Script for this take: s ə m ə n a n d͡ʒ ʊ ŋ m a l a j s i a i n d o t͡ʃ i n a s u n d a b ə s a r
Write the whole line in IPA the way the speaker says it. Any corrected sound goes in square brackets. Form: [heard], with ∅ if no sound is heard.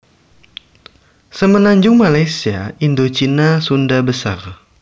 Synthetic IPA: s ə m ə n a [ɲ] d͡ʒ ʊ ŋ m a l a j s i a i n d o t͡ʃ i n a s u n d a b ə s a r